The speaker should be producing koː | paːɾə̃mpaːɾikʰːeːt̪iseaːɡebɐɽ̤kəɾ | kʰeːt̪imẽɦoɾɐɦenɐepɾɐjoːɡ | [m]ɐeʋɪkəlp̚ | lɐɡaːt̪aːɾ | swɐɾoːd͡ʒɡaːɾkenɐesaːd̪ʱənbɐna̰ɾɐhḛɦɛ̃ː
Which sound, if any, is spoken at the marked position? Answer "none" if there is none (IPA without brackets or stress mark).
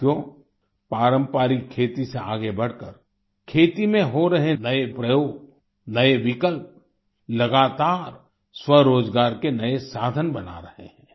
n